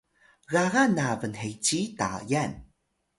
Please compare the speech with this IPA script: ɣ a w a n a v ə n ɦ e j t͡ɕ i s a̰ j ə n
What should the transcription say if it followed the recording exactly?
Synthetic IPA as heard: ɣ a ɣ a n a v ə n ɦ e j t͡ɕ i t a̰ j a n